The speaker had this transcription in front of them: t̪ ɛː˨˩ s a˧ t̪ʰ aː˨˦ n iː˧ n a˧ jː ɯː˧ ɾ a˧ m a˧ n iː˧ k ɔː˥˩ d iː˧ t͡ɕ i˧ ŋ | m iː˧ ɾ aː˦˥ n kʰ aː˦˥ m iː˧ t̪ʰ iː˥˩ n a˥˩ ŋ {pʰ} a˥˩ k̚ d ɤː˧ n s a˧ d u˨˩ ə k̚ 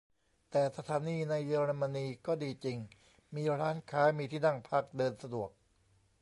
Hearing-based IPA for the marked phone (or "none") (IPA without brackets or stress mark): pʰ